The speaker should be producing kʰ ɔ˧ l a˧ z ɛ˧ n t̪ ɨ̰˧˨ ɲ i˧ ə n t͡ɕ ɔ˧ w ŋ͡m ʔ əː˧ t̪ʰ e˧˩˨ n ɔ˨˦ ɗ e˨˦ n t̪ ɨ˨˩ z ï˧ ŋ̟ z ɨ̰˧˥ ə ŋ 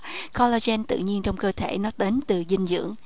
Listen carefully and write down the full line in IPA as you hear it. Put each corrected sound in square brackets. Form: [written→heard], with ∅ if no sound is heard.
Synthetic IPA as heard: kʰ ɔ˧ l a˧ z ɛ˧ n t̪ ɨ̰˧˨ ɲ i˧ ə n t͡ɕ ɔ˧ w ŋ͡m [ʔ→k] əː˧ t̪ʰ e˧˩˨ n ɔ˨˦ ɗ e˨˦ n t̪ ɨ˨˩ z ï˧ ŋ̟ z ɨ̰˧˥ ə ŋ